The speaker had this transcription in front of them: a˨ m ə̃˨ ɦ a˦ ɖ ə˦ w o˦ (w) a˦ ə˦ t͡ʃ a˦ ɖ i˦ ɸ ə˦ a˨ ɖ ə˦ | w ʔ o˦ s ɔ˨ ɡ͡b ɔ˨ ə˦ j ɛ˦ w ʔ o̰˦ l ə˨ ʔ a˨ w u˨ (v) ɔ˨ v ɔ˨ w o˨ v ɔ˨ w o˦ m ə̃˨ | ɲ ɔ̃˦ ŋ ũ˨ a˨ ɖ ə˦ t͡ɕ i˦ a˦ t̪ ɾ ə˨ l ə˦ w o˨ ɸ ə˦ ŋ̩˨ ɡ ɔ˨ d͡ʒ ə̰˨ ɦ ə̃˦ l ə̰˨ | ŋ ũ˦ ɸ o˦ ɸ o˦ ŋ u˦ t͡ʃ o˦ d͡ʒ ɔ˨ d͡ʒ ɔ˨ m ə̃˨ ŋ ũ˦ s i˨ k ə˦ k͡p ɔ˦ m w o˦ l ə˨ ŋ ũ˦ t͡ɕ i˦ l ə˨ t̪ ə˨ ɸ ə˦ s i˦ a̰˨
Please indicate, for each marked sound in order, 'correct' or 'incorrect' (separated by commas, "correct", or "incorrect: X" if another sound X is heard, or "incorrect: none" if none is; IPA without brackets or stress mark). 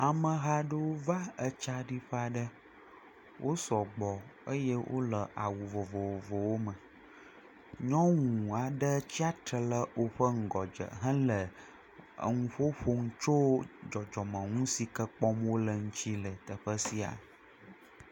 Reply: incorrect: v, correct